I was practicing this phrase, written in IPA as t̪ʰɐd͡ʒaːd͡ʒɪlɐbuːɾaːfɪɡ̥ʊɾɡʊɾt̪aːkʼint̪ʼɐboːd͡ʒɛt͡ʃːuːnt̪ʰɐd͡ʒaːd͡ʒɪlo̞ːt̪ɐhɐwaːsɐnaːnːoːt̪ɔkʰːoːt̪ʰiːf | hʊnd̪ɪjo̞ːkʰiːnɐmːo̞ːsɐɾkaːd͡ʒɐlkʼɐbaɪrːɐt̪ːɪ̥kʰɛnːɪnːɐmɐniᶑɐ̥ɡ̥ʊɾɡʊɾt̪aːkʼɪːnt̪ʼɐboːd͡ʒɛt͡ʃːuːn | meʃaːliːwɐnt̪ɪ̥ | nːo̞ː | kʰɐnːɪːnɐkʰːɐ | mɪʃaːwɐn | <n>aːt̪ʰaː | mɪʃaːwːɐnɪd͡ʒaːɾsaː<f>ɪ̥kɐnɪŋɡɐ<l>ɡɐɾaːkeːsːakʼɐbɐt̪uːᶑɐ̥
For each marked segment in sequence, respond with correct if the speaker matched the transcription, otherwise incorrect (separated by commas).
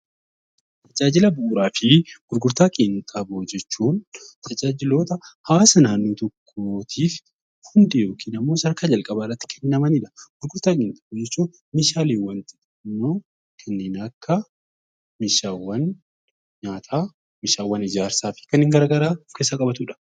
incorrect, correct, incorrect